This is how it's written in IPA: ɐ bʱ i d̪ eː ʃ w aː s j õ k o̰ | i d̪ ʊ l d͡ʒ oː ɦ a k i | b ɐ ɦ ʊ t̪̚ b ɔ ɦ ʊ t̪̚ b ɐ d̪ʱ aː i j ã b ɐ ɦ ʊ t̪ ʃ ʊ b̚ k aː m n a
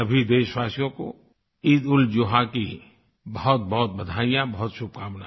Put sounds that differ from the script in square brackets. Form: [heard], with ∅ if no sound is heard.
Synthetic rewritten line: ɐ bʱ i d̪ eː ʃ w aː s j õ k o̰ | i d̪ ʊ l d͡ʒ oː ɦ a k i | b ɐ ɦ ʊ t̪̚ b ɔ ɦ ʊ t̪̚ b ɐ d̪ʱ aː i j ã b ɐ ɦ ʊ t̪ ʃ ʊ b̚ k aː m n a